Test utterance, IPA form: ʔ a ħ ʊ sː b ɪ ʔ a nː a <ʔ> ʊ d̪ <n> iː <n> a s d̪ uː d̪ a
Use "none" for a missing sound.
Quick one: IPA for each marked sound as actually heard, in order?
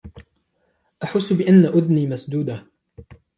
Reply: ʔ, n, m

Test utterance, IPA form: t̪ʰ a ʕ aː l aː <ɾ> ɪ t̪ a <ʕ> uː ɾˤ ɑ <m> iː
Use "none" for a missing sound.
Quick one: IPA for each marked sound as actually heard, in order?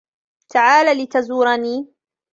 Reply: l, z, n

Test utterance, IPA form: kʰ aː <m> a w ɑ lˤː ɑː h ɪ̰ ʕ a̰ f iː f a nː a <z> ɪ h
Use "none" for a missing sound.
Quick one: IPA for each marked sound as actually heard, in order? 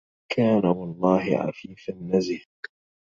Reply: n, z

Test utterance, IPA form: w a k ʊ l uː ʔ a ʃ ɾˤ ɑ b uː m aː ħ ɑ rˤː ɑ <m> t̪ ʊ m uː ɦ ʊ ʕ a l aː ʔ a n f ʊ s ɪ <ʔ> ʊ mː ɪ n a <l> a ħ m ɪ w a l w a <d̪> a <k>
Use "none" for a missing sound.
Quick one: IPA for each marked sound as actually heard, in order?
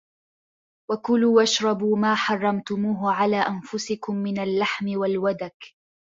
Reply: m, k, lː, d̪, k

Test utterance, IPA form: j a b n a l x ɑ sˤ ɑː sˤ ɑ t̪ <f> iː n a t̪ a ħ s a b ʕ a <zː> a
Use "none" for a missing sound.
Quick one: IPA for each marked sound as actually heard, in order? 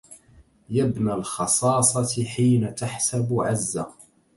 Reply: ħ, zː

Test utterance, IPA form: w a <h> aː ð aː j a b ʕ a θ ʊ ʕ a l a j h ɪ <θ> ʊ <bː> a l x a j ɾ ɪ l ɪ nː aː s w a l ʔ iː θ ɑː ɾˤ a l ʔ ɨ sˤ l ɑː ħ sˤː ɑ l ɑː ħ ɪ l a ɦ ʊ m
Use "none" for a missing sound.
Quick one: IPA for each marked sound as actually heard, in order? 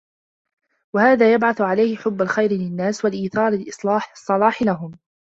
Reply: h, ħ, bː

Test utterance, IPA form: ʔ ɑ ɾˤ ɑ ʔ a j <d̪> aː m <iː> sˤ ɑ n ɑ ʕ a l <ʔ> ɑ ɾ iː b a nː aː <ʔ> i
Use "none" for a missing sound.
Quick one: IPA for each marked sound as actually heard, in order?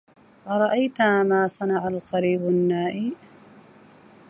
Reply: t̪, aː, q, ʔ

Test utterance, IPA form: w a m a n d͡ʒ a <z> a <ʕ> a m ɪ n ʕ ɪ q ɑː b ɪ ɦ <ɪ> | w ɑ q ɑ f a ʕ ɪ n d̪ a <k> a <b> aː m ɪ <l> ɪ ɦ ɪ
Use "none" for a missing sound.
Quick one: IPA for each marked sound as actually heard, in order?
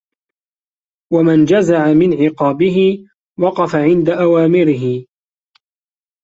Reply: z, ʕ, ɪ, ʔ, w, ɾ

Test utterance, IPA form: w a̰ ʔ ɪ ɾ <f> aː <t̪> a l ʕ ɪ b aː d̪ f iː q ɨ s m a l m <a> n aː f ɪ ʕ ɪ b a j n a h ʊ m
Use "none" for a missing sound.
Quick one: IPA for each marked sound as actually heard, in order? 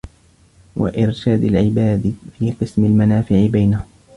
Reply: ʃ, d̪, a

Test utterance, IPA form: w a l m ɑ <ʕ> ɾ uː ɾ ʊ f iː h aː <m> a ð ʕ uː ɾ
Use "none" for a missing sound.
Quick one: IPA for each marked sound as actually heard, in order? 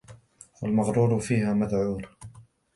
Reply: ɣ, m

